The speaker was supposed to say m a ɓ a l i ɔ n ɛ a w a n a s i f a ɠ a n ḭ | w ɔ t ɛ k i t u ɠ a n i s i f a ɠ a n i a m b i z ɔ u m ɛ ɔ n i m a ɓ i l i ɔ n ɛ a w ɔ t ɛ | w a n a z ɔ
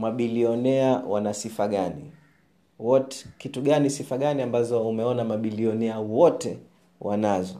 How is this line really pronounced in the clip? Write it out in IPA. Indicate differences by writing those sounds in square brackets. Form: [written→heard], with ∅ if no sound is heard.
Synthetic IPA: m a ɓ [a→i] l i ɔ n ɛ a w a n a s i f a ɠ a n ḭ | w ɔ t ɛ k i t u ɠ a n i s i f a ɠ a n i a m b [i→a] z ɔ u m ɛ ɔ n [i→a] m a ɓ i l i ɔ n ɛ a w ɔ t ɛ | w a n a z ɔ